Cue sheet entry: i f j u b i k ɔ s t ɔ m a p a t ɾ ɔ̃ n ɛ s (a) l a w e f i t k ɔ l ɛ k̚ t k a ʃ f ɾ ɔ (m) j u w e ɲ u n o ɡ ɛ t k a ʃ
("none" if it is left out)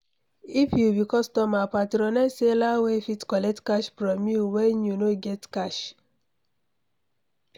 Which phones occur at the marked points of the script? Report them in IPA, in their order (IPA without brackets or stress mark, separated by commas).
e, m